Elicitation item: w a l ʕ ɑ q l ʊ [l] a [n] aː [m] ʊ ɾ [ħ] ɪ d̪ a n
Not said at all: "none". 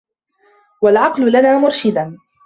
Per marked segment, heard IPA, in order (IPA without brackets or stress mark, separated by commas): l, n, m, ʃ